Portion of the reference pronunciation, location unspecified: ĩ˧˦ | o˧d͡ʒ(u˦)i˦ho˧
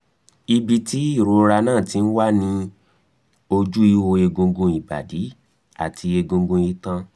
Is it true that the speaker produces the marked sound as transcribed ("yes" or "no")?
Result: yes